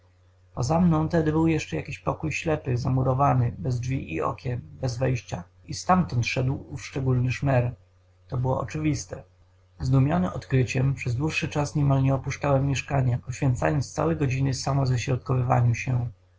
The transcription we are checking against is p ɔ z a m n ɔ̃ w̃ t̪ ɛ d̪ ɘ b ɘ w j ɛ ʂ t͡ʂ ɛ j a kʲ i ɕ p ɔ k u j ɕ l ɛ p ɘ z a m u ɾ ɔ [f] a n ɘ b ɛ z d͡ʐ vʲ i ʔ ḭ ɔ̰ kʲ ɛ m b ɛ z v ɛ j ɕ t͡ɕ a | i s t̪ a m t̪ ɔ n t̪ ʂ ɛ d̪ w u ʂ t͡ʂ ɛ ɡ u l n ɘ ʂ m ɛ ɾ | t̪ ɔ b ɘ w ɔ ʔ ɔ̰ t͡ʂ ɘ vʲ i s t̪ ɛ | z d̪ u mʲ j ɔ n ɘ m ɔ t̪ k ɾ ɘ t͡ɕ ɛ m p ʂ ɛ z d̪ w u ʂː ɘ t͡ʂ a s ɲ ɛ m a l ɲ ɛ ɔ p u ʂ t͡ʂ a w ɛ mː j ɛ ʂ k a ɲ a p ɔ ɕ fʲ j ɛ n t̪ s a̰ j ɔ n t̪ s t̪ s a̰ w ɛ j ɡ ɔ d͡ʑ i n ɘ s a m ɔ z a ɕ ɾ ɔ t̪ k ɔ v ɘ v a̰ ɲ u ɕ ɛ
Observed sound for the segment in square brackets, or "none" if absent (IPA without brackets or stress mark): v